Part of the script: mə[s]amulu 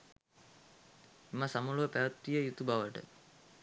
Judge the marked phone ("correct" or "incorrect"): correct